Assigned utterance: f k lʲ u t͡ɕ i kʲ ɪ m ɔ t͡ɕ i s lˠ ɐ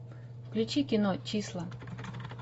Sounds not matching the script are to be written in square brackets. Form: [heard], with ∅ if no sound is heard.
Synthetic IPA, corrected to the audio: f k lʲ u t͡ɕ i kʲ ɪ [n] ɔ t͡ɕ i s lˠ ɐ